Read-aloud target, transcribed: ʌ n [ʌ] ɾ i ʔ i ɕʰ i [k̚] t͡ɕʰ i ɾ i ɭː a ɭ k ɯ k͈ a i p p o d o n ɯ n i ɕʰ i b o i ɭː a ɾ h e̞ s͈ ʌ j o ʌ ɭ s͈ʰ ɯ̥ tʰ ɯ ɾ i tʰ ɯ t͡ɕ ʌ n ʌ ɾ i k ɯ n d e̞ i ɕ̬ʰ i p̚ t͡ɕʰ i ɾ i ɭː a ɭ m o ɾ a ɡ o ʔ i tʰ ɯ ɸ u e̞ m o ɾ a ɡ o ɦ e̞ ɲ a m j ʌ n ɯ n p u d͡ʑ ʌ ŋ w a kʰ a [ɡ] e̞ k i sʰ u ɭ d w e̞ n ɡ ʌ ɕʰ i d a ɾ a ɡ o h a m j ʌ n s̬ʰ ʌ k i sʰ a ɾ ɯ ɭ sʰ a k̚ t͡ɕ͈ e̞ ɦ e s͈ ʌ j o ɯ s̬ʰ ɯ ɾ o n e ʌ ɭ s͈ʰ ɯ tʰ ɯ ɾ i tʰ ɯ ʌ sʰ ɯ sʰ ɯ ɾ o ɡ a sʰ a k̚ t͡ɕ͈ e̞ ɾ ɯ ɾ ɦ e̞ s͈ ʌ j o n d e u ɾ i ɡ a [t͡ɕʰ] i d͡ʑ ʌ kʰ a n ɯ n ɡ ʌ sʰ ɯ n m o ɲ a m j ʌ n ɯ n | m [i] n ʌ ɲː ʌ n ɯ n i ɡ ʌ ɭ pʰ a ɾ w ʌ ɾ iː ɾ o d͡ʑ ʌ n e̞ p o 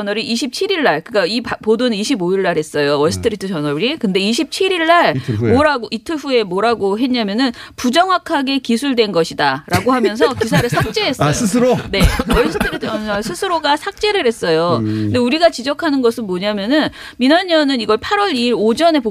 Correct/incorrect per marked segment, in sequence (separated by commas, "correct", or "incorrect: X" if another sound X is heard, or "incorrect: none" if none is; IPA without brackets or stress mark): correct, incorrect: p̚, correct, incorrect: t͡ɕ, correct